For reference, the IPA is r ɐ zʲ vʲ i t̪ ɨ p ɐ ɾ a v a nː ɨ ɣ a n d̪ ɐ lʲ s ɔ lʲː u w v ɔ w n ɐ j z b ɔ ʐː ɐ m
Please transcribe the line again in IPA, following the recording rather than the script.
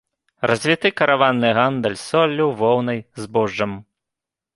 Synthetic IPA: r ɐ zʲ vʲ i t̪ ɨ k ɐ ɾ a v a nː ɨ ɣ a n d̪ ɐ lʲ s ɔ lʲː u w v ɔ w n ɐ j z b ɔ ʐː ɐ m